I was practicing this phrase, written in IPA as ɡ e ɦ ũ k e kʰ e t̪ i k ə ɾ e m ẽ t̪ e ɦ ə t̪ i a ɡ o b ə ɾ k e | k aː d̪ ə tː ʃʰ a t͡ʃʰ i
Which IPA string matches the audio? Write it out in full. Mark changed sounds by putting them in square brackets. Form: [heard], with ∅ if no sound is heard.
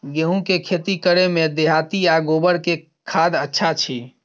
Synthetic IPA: ɡ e ɦ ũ k e kʰ e t̪ i k ə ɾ e m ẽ [d̪] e ɦ [a] t̪ i a ɡ o b ə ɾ k e | [kʰ] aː d̪ ə tː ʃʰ a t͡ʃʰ i